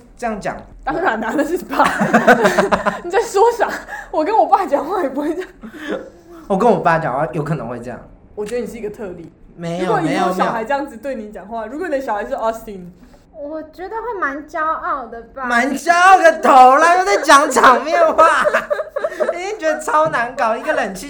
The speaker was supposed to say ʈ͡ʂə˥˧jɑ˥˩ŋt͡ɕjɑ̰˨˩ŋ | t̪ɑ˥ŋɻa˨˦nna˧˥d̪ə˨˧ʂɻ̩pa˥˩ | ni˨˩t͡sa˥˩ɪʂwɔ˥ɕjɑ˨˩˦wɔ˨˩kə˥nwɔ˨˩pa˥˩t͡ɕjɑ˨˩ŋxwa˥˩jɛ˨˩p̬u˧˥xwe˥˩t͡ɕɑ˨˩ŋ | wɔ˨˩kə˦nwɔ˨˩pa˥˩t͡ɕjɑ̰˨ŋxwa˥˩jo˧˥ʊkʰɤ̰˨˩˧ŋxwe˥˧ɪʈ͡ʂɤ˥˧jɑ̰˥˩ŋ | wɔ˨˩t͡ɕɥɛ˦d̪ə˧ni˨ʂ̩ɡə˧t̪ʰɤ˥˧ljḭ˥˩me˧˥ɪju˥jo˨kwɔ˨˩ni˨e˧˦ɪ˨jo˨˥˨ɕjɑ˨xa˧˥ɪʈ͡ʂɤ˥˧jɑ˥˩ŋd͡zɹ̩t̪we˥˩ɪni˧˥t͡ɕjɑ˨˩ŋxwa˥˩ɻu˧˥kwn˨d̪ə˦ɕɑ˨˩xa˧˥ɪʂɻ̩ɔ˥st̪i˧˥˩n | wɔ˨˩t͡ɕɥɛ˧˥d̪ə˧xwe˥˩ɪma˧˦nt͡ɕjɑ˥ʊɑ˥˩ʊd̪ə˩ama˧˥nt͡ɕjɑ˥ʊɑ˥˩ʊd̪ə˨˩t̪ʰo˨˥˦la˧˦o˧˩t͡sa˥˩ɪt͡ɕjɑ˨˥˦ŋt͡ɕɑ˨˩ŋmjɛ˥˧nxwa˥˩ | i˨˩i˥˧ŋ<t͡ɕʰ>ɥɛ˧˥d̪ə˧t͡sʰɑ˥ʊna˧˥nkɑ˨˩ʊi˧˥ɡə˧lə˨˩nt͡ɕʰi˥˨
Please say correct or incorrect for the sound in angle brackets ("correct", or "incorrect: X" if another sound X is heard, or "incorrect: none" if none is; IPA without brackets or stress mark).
incorrect: t͡ɕ